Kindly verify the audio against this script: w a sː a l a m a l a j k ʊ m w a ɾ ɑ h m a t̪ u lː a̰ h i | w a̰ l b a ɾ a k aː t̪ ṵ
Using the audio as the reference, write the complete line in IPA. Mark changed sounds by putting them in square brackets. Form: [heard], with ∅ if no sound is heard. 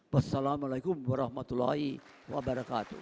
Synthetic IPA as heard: w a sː a l a m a l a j k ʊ m w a ɾ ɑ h m a t̪ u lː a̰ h i | w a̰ [∅] b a ɾ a k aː t̪ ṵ